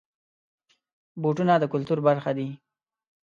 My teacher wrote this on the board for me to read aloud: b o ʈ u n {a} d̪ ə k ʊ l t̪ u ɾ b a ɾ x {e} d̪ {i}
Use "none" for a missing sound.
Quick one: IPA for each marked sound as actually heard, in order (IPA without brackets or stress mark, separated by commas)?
a, a, i